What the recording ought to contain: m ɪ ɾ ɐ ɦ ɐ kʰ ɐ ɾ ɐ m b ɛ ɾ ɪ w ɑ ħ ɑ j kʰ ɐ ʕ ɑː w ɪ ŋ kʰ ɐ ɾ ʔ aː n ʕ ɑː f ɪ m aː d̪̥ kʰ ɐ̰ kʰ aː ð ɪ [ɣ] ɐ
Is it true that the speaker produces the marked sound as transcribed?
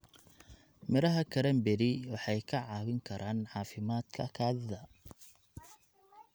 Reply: no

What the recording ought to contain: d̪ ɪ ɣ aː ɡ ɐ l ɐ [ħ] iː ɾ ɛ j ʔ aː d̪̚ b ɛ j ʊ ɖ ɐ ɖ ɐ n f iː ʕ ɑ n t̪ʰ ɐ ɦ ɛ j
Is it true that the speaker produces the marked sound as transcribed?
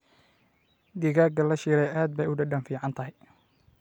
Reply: no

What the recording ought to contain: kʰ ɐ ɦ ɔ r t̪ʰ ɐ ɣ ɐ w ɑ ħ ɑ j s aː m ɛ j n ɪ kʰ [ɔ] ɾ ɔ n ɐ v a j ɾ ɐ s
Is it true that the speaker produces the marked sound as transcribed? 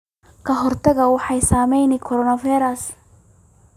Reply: yes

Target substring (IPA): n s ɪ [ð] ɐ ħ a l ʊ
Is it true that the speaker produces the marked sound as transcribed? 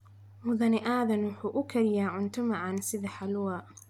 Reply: yes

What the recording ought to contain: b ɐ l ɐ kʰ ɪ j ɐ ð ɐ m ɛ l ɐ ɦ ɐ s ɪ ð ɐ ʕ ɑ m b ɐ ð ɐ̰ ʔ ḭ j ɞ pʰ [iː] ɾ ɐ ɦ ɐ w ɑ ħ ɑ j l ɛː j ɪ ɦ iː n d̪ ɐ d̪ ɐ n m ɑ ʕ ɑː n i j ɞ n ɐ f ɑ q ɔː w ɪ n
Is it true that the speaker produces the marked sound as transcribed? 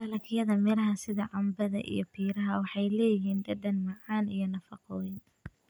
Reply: yes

